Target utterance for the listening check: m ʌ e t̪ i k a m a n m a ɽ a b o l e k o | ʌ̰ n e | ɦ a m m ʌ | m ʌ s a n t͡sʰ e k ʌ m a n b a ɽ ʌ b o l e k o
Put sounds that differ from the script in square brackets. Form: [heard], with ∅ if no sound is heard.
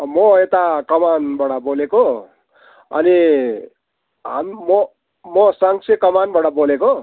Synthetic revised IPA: m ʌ e t̪ [a] k [ʌ] m a n [b] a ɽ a b o l e k o | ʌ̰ n [i] | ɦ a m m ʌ | m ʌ s a [ŋ] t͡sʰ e k ʌ m a n b a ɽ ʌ b o l e k o